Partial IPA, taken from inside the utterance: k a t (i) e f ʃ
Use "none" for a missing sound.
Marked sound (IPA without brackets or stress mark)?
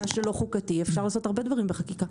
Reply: i